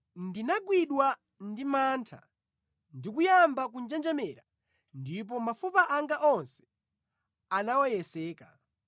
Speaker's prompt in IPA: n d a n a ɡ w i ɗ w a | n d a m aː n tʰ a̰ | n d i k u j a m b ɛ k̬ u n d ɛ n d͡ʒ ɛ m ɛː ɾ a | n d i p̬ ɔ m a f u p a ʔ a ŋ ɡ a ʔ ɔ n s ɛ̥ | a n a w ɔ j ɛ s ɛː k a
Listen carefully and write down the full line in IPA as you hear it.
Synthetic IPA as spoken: n d i n a ɡ w i ɗ w a | n d i m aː n tʰ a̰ | n d i k u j a m b a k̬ u n d͡ʒ ɛ n d͡ʒ ɛ m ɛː ɾ a | n d i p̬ ɔ m a f u p a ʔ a ŋ ɡ a ʔ ɔ n s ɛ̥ | a n a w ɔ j ɛ s ɛː k a